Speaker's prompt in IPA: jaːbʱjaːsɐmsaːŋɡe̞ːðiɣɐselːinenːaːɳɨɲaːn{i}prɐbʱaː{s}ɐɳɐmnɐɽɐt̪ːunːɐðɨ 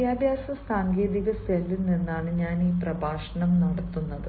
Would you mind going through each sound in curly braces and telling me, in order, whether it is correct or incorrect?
incorrect, incorrect

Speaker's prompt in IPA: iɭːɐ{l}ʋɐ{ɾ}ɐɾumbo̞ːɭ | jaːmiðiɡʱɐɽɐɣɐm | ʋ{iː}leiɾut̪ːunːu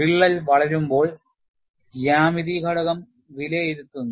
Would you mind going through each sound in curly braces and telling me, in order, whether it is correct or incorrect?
correct, incorrect, incorrect

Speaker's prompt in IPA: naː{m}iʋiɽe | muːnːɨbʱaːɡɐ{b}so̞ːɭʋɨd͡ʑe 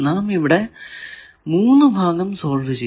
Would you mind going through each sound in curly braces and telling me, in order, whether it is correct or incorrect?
correct, incorrect

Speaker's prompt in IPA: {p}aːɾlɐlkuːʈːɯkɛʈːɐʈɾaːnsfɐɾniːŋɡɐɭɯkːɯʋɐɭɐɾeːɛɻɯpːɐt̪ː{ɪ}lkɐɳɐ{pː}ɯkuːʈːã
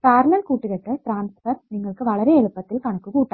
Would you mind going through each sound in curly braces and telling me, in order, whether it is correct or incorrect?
correct, correct, incorrect

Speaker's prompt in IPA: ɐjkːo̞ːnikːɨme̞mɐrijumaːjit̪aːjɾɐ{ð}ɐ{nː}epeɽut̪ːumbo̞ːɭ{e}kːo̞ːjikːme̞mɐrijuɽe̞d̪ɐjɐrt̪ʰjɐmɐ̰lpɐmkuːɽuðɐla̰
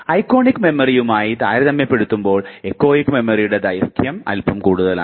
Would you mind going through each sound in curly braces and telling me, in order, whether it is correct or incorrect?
correct, incorrect, correct

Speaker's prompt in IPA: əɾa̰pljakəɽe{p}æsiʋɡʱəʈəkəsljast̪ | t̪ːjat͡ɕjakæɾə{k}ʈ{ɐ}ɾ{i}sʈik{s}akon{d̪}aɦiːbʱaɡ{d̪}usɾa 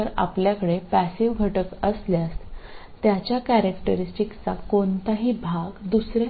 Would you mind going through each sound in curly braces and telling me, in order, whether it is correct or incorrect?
correct, correct, incorrect, correct, incorrect, incorrect, correct

